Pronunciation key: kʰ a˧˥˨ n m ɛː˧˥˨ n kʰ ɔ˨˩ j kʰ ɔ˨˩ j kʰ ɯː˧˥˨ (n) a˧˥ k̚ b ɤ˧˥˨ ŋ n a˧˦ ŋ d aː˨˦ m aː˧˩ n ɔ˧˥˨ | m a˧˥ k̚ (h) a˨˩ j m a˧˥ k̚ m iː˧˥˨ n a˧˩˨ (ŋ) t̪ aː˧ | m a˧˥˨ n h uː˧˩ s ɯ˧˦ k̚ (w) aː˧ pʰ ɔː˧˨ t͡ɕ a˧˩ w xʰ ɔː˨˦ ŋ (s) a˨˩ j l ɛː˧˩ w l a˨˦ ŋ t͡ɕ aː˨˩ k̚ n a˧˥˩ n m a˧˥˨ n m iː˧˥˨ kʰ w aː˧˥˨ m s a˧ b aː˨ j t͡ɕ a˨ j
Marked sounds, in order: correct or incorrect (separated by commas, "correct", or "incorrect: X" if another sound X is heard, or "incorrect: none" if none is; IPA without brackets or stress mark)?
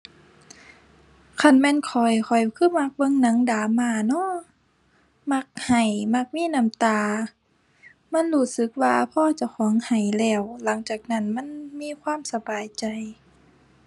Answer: incorrect: m, correct, incorrect: m, correct, incorrect: h